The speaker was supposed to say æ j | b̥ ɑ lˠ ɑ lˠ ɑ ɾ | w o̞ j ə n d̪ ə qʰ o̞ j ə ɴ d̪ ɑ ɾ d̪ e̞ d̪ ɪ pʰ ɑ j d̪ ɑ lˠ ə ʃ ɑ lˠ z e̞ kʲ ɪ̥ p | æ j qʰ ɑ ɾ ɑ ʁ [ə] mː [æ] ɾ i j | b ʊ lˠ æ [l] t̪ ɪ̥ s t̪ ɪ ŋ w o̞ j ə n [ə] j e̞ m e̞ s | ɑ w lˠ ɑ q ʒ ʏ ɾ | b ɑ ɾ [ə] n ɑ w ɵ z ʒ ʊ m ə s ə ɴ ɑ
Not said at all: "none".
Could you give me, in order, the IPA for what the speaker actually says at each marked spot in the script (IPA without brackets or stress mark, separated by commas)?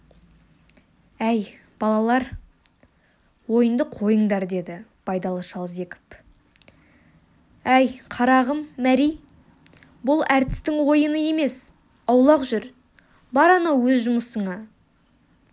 ə, æ, ɾ, ə, ɑ